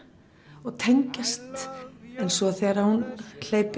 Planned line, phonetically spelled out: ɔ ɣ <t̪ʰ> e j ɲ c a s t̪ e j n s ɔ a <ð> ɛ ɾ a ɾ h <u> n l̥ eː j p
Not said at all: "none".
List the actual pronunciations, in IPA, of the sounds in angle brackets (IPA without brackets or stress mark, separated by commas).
t̪ʰ, θ, u